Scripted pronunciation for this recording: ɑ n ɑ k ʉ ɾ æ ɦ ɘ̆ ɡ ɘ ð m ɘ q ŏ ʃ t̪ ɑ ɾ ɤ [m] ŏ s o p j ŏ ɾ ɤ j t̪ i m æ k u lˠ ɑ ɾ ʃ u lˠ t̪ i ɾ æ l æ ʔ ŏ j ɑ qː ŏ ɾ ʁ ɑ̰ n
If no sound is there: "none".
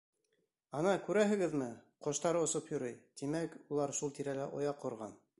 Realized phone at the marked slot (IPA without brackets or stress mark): none